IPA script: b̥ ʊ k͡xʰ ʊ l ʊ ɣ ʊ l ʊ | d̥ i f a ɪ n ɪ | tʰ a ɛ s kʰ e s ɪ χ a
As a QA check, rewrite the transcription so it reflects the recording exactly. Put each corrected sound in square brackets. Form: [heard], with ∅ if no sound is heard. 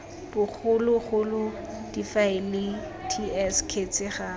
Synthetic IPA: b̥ ʊ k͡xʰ ʊ l ʊ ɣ ʊ l ʊ | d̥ i f a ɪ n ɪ | tʰ [i] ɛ s kʰ e [t͡s] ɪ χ a

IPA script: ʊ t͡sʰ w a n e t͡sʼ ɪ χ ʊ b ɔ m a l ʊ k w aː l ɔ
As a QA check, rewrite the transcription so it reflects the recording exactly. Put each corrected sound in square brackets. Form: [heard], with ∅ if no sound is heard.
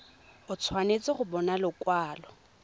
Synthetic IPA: ʊ t͡sʰ w a n e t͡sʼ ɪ χ ʊ b ɔ [n] a l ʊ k w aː l ɔ

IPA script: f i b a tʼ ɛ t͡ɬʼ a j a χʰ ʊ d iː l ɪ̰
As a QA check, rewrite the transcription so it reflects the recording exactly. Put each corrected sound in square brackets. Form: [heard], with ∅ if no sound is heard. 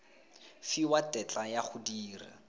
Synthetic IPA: f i [w] a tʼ ɛ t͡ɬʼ a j a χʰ ʊ d iː [r] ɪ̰

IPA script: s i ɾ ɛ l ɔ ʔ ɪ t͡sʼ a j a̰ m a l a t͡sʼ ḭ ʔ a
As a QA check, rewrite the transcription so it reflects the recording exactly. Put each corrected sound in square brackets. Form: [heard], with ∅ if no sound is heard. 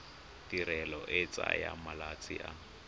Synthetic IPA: [t] i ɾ ɛ l ɔ ʔ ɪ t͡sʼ a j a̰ m a l a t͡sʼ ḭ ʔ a

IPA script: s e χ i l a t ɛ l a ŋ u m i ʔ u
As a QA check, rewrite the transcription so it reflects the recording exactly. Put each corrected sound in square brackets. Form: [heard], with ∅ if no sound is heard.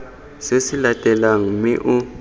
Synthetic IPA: s e [s] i l a [tʼ] ɛ l a ŋ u m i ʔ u

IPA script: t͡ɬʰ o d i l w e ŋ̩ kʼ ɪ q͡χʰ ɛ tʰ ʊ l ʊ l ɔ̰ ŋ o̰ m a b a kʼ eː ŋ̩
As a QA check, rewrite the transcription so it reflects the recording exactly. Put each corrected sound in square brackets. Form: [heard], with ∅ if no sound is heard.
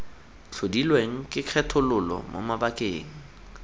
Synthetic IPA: t͡ɬʰ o d i l w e ŋ̩ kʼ ɪ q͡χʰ ɛ tʰ ʊ l ʊ l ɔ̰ [m] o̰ m a b a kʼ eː ŋ̩

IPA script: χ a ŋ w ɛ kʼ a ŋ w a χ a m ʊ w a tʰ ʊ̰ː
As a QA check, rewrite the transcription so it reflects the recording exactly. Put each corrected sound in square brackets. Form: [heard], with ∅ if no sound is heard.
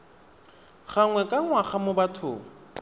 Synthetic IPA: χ a ŋ w ɛ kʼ a ŋ w a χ a m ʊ [b] a tʰ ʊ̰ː

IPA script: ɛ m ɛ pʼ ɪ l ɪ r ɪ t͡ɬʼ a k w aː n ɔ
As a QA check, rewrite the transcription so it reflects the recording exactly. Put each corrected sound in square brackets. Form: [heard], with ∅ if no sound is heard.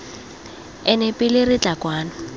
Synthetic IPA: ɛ [n] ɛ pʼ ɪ l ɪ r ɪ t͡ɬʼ a k w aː n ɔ

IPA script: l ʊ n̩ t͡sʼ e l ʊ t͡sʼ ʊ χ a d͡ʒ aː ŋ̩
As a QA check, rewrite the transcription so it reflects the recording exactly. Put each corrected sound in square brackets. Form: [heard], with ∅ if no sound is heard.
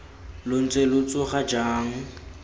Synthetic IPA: l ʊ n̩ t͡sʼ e l ʊ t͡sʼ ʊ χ a d͡ʒ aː ŋ̩

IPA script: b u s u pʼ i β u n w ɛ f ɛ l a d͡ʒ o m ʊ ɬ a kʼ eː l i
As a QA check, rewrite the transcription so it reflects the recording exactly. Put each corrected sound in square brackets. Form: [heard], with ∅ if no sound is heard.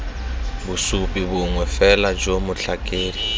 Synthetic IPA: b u s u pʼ i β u [ŋ] w ɛ f ɛ l a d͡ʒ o m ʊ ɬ a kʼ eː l i

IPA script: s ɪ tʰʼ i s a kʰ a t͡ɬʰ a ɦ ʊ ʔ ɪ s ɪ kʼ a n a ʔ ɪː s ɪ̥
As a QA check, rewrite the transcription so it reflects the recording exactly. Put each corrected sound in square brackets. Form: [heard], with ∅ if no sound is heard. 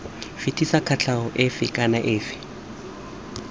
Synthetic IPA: [f] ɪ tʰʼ i s a kʰ a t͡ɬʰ a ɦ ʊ ʔ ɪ [f] ɪ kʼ a n a ʔ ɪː [f] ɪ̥

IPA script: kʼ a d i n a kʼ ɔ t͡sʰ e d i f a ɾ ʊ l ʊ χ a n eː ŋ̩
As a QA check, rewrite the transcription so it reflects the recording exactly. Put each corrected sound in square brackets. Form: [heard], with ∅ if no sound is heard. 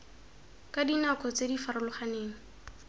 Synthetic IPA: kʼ a d i n a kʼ ɔ [t͡s] e d i f a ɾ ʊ l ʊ χ a n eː ŋ̩

